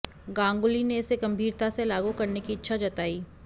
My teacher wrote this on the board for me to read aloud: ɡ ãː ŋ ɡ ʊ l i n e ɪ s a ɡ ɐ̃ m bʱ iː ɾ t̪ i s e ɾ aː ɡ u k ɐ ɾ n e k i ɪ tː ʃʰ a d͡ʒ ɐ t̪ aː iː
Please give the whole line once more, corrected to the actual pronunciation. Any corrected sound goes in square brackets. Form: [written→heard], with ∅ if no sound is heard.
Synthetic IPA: ɡ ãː ŋ ɡ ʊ l i n e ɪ s [a→e] ɡ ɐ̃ m bʱ iː ɾ t̪ [i→a] s e [ɾ→l] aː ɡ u k ɐ ɾ n e k i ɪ tː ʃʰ a d͡ʒ ɐ t̪ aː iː